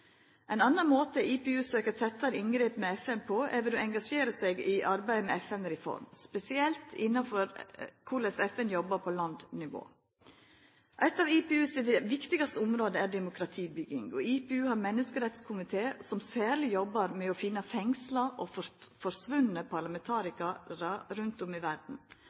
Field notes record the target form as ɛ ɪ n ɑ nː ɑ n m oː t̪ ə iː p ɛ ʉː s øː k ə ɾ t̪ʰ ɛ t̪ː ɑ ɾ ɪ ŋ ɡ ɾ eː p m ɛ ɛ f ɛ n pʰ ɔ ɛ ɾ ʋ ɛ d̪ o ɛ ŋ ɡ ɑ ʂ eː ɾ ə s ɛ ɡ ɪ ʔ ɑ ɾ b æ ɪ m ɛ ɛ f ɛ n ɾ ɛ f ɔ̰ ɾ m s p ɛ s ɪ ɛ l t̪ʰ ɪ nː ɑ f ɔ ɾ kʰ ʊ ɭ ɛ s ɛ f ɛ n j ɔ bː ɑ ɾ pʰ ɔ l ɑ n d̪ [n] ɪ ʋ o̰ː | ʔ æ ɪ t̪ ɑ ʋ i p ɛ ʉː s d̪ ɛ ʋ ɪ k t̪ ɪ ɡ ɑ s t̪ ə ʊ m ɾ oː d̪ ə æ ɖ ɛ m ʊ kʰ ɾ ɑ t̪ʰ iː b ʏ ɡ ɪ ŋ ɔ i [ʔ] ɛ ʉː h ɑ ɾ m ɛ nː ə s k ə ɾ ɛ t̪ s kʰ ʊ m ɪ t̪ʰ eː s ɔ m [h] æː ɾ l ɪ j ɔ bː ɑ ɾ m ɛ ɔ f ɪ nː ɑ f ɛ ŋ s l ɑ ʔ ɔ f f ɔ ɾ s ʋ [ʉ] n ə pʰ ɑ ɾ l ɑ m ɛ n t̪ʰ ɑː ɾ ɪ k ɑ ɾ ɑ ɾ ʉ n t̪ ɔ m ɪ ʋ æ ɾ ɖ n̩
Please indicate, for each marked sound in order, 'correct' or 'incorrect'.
correct, incorrect: p, incorrect: s, correct

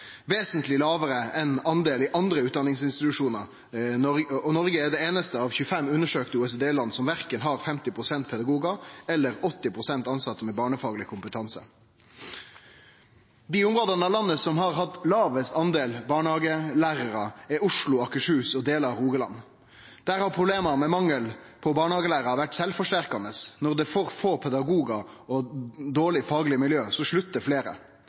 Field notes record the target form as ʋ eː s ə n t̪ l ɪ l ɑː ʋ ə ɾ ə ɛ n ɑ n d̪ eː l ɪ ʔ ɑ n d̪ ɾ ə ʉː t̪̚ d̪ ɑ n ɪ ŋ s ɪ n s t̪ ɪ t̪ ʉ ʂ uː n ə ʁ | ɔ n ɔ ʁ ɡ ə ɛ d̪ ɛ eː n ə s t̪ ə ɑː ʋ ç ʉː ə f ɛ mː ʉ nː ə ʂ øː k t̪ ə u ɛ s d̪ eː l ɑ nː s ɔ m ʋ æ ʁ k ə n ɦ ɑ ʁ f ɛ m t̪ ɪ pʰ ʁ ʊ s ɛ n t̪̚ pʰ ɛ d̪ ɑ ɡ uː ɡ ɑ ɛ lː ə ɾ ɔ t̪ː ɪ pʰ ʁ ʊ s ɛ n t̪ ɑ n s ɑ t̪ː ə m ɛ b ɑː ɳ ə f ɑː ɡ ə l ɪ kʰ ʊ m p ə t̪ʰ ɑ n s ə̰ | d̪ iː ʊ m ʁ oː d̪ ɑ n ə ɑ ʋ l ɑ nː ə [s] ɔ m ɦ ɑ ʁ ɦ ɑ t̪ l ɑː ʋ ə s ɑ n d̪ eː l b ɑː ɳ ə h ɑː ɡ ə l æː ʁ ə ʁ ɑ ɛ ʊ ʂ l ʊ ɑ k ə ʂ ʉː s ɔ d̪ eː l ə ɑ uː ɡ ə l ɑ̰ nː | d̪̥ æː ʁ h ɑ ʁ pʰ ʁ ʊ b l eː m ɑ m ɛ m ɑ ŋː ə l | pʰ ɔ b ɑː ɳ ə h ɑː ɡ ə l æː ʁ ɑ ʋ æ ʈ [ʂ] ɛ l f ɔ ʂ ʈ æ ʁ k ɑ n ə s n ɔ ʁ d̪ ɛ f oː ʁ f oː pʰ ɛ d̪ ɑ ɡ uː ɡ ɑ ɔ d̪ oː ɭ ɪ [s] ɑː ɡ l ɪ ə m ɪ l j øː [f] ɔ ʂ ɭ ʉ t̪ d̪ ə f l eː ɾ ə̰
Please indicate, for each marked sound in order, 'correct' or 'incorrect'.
correct, incorrect: s, incorrect: f, incorrect: s

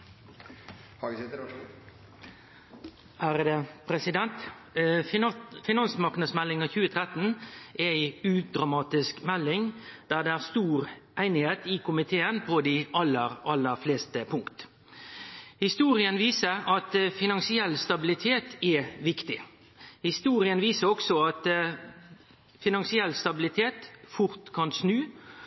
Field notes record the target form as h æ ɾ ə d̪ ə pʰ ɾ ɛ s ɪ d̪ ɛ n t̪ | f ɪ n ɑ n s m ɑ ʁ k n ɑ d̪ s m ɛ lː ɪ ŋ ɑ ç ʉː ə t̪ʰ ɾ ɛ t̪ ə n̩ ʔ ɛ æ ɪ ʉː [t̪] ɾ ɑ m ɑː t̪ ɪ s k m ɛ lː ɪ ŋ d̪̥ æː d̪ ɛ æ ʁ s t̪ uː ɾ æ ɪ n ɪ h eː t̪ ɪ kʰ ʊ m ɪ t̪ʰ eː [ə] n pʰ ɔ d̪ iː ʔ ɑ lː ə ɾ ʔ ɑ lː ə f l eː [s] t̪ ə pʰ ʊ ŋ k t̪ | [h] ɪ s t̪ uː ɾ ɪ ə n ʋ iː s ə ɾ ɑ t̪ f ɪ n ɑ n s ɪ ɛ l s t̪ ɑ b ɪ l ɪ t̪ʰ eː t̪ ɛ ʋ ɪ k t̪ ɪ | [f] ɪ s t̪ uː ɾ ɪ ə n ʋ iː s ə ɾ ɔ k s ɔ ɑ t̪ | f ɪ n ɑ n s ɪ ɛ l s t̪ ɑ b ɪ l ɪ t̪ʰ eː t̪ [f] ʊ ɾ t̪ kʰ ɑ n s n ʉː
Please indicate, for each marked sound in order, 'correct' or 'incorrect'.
incorrect: d̪, correct, correct, correct, incorrect: h, correct

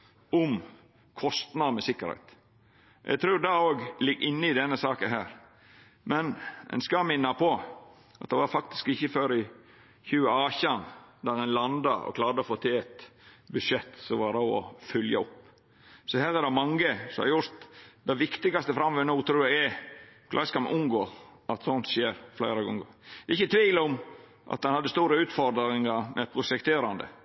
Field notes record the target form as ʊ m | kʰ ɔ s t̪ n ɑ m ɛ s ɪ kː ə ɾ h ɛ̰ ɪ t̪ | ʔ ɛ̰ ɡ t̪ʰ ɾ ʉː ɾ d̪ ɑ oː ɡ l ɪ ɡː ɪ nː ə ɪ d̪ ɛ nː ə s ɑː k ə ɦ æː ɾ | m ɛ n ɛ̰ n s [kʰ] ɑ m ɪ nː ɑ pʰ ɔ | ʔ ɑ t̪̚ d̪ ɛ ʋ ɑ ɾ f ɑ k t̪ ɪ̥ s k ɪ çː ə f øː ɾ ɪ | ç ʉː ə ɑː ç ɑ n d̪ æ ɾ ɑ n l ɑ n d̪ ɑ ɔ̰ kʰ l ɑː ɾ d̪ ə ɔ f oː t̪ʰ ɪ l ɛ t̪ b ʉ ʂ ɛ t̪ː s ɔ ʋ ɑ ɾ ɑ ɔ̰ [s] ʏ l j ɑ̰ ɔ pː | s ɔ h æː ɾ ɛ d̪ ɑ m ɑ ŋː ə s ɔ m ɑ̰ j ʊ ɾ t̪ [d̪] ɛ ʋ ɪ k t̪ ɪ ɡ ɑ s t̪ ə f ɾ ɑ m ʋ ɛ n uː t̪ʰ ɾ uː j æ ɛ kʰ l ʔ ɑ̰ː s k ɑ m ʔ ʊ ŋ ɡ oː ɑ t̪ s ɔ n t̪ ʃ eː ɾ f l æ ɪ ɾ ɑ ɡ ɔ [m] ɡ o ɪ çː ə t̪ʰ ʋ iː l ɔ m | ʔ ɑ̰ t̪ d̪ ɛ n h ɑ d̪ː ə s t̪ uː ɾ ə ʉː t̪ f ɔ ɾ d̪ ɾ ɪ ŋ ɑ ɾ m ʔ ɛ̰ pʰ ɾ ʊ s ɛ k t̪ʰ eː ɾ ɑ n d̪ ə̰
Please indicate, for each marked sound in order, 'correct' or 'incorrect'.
incorrect: k, incorrect: f, correct, incorrect: ŋ

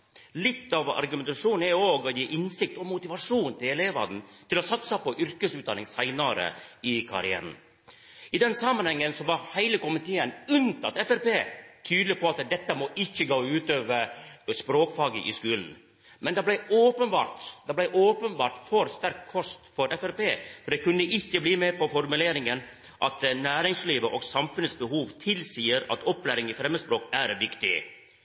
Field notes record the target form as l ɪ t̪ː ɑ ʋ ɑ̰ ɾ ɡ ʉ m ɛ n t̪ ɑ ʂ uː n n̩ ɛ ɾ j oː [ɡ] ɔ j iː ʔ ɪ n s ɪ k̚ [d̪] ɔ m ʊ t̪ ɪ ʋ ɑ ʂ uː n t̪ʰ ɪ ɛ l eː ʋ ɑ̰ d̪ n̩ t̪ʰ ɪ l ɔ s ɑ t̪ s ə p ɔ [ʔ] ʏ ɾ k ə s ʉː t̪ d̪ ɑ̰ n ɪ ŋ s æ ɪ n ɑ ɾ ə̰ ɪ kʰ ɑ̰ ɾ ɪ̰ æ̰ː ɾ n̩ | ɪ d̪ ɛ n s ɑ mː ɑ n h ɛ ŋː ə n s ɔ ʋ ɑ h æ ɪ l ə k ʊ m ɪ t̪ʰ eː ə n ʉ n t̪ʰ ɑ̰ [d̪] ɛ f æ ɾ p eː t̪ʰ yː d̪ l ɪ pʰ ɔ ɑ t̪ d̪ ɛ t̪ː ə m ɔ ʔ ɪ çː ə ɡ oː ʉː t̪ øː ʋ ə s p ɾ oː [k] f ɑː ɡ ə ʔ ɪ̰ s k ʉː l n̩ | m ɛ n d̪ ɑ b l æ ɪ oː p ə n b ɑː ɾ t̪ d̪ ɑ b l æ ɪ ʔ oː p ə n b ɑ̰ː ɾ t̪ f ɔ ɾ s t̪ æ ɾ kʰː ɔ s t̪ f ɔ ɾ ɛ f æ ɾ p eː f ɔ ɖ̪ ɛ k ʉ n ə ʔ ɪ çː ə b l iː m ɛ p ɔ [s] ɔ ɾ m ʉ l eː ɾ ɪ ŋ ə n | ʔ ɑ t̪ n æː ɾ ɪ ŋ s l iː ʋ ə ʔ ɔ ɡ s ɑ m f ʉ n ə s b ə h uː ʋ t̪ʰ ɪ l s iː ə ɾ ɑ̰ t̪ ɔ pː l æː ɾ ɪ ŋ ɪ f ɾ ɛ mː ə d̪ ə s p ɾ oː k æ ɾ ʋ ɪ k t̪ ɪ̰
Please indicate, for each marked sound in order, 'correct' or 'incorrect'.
correct, incorrect: t̪, correct, incorrect: t̪, correct, incorrect: f

